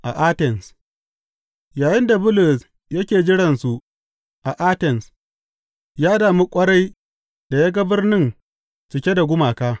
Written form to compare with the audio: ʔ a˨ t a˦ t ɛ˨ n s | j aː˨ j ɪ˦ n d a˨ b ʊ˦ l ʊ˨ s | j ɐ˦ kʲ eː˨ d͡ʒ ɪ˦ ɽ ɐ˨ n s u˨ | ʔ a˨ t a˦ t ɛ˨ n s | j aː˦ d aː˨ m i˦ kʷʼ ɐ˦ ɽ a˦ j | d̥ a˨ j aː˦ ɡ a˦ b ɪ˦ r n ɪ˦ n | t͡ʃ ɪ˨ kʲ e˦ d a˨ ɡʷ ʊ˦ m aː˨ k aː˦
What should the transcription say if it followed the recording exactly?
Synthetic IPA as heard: ʔ a˨ ʔ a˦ t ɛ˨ n s | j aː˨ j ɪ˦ n d a˨ b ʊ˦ l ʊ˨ s | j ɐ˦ kʲ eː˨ d͡ʒ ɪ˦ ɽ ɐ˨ n s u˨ | ʔ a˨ ʔ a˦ t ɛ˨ n s | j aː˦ d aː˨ m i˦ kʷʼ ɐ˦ ɽ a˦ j | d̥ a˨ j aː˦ ɡ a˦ b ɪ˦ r n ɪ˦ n | t͡ʃ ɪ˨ kʲ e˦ d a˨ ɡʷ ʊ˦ m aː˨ k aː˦